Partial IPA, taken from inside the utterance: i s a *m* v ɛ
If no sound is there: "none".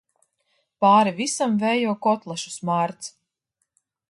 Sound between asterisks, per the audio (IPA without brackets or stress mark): m